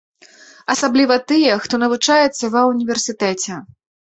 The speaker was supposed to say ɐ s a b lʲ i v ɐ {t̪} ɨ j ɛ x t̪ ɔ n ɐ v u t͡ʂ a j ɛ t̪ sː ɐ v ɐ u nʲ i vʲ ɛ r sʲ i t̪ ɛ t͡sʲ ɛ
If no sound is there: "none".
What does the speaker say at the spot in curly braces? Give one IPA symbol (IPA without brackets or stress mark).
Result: t̪